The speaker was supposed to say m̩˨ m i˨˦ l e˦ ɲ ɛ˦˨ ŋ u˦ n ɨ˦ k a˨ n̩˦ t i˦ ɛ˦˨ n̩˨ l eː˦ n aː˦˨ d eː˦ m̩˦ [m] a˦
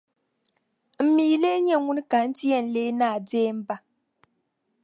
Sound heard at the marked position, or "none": b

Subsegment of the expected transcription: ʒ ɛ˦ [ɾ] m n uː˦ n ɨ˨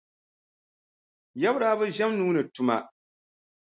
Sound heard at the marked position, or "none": none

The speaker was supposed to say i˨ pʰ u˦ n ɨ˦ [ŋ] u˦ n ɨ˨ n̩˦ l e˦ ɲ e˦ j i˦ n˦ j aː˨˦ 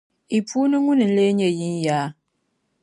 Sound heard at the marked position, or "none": ŋ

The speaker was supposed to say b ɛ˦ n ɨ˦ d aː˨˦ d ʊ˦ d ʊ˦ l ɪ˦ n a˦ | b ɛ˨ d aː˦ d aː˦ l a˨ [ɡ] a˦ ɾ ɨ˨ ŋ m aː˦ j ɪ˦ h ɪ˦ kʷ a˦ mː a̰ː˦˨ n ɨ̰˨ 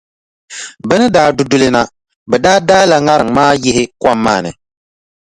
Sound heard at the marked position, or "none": ŋ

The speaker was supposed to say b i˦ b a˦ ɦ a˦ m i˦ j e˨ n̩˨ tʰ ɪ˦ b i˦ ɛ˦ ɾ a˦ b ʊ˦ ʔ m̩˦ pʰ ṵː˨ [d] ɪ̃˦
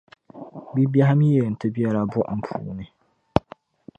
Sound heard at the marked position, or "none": n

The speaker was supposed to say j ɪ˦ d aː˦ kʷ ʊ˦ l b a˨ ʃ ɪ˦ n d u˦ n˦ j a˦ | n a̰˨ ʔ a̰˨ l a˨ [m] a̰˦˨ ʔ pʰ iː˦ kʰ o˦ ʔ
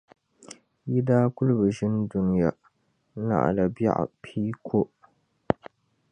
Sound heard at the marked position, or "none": b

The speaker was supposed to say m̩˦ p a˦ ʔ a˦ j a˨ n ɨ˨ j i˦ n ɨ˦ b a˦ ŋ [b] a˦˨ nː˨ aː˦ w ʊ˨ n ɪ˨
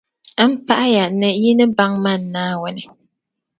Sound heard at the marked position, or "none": m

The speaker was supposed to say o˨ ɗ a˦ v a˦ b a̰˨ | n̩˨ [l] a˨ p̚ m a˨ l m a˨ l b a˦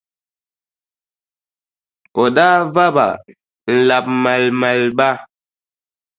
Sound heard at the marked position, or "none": l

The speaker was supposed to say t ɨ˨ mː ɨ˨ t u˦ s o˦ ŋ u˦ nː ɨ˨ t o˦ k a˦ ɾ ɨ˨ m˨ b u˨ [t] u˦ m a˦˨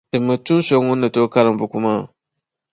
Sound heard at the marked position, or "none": k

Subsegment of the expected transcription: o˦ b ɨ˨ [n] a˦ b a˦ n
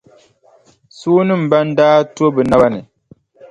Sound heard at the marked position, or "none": n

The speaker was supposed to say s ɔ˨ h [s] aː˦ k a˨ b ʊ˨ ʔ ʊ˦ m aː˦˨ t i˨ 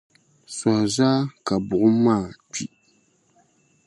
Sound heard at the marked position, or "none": z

